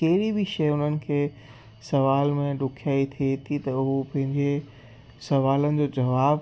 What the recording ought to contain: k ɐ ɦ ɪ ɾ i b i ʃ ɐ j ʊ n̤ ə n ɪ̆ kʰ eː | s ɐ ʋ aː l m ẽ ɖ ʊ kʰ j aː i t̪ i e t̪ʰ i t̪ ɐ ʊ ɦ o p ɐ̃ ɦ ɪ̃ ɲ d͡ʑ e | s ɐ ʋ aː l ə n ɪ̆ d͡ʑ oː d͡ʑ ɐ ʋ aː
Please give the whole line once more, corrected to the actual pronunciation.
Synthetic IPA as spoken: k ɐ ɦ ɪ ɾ i b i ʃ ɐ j ʊ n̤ ə n ɪ̆ kʰ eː | s ɐ ʋ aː l m ẽ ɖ ʊ kʰ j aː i t̪ʰ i e t̪ʰ i t̪ ɐ ʊ ɦ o p ɐ̃ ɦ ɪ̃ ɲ d͡ʑ e | s ɐ ʋ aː l ə n ɪ̆ d͡ʑ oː d͡ʑ ɐ ʋ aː